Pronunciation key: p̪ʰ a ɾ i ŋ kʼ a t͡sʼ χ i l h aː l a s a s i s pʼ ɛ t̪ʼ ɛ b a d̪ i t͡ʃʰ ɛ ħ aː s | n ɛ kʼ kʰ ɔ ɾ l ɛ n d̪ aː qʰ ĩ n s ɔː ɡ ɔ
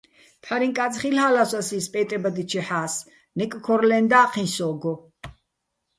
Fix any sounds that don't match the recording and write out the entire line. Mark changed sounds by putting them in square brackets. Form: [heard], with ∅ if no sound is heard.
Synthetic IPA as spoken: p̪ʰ a ɾ i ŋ kʼ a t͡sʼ χ i l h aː l a s a s i s pʼ ɛ t̪ʼ ɛ b a d̪ i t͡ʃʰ ɛ ħ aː s | n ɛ kʼ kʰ ɔ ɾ l ɛ n d̪ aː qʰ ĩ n s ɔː ɡ ɔ